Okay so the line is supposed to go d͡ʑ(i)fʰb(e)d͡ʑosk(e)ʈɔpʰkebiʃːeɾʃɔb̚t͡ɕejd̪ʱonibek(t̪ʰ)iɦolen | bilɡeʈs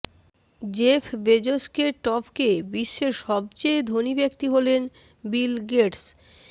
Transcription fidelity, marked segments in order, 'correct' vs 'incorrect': incorrect, correct, correct, incorrect

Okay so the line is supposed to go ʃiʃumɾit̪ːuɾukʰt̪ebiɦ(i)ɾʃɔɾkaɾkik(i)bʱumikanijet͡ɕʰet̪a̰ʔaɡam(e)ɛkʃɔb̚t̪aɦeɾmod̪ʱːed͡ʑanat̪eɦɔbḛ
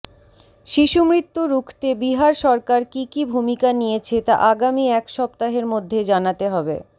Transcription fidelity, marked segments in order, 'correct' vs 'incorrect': incorrect, correct, incorrect

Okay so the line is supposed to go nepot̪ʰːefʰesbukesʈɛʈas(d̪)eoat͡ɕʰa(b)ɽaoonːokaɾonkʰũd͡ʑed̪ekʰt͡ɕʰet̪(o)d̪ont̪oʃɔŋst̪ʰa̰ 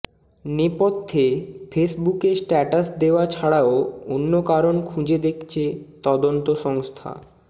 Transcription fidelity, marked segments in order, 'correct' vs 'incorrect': correct, incorrect, incorrect

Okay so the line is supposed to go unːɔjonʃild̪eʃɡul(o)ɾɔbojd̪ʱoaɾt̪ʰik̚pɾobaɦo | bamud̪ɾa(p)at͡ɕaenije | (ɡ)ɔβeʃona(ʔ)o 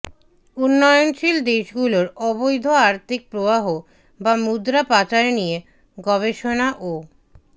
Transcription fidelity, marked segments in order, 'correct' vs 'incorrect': correct, correct, correct, correct

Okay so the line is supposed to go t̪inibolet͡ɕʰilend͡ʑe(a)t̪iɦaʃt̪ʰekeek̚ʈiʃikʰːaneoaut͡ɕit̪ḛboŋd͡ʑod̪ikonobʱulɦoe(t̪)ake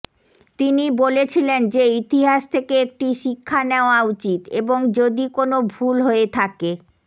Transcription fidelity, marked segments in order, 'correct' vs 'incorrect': incorrect, incorrect

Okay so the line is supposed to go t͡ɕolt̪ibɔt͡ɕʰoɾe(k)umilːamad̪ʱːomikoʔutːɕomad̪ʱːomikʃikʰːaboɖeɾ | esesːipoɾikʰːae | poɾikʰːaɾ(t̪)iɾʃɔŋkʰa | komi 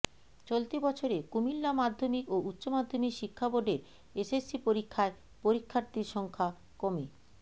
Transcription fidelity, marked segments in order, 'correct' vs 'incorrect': correct, correct

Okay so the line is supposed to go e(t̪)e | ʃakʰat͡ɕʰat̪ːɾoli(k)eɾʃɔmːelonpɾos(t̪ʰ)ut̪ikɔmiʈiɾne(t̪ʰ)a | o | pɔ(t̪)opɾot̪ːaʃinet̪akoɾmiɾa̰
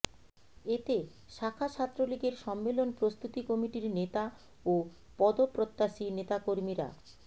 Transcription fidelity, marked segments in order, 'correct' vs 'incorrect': correct, incorrect, incorrect, incorrect, incorrect

